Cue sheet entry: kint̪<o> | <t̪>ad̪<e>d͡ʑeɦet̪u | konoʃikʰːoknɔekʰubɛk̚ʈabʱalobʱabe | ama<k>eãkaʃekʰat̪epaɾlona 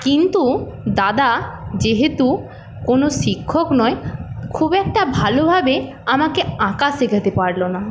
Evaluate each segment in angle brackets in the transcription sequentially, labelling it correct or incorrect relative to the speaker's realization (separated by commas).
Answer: incorrect, incorrect, incorrect, correct